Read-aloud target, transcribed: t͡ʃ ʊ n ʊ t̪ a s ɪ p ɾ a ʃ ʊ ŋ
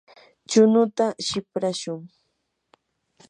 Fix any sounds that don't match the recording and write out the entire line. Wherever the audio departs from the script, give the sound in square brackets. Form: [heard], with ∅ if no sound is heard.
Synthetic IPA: t͡ʃ ʊ n ʊ t̪ a [ʃ] ɪ p ɾ a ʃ ʊ ŋ

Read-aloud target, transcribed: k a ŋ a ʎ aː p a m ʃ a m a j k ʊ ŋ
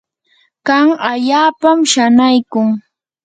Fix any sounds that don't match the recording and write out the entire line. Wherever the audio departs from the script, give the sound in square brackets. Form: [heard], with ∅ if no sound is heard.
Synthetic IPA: k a ŋ a ʎ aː p a m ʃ a [n] a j k ʊ ŋ

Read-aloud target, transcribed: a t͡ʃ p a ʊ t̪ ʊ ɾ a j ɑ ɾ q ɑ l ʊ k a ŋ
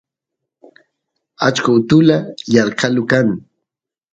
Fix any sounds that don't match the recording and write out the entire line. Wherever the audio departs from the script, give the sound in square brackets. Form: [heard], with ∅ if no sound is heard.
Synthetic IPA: a t͡ʃ [k] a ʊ t̪ ʊ [l] a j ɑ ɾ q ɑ l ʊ k a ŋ

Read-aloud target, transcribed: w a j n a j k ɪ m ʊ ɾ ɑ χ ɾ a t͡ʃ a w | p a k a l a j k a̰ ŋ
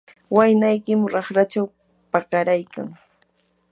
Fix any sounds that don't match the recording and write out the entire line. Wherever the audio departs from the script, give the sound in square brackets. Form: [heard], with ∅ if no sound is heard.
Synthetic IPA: w a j n a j k ɪ m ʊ ɾ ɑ χ ɾ a t͡ʃ a w | p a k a [ɾ] a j k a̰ ŋ

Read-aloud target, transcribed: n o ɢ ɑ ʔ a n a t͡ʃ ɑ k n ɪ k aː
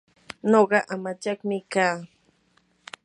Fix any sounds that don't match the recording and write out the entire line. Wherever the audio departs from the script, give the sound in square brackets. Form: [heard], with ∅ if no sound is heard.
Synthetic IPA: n o ɢ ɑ ʔ a [m] a t͡ʃ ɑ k [m] ɪ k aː

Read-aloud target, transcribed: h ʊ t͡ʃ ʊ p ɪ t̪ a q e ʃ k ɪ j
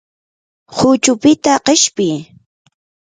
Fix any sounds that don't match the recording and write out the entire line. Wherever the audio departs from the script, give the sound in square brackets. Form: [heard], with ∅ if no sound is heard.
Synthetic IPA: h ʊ t͡ʃ ʊ p ɪ t̪ a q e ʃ [p] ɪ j

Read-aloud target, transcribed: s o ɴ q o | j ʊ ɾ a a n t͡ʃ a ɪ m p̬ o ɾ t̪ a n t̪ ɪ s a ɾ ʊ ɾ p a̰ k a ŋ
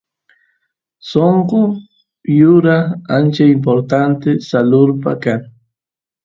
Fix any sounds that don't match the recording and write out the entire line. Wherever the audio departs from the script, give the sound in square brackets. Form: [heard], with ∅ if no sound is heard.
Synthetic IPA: s o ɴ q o | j ʊ ɾ a a n t͡ʃ a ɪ m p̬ o ɾ t̪ a n t̪ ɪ s a [l] ʊ ɾ p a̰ k a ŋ

